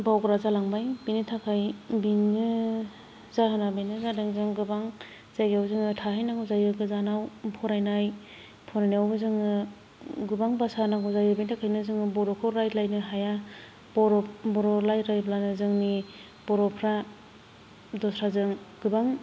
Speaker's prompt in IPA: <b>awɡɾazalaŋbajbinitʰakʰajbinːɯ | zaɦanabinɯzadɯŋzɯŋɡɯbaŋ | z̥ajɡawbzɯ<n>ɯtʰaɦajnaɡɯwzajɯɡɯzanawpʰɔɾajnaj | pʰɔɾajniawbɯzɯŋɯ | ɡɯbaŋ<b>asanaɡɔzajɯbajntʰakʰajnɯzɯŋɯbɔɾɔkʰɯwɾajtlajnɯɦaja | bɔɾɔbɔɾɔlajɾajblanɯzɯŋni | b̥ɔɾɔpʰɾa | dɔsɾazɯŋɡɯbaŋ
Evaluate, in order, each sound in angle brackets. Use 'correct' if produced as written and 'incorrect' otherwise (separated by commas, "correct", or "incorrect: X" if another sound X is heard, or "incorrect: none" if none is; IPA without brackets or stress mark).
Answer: correct, incorrect: ŋ, correct